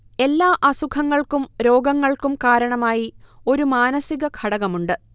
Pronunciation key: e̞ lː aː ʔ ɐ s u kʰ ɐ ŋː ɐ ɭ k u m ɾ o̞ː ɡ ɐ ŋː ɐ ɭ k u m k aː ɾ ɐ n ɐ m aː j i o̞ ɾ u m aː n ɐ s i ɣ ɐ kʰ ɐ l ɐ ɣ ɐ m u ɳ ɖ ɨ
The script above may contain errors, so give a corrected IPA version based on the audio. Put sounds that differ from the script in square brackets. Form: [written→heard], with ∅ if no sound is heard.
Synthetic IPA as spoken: e̞ lː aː ʔ ɐ s u kʰ ɐ ŋː ɐ ɭ k u m ɾ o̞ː ɡ ɐ ŋː ɐ ɭ k u m k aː ɾ ɐ [n→ɳ] ɐ m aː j i o̞ ɾ u m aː n ɐ s i ɣ ɐ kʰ ɐ [l→ɽ] ɐ ɣ ɐ m u ɳ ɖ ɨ